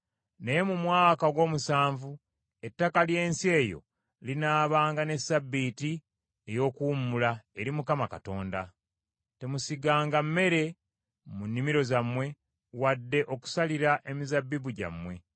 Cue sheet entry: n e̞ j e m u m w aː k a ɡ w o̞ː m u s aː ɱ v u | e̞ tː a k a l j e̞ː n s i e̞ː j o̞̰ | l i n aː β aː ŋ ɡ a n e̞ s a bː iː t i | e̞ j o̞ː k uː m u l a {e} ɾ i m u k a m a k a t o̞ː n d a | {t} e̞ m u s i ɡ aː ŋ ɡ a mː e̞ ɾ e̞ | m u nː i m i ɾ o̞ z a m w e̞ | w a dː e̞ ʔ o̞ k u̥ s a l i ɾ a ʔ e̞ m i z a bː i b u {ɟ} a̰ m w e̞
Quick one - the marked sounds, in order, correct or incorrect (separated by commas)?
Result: correct, correct, correct